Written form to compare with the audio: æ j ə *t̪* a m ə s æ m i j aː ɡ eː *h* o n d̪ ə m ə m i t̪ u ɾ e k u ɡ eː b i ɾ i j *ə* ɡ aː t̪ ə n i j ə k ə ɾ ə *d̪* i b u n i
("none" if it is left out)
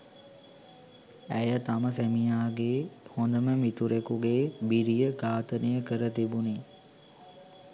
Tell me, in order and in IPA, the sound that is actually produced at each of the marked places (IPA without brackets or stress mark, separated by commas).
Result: t̪, h, ə, t̪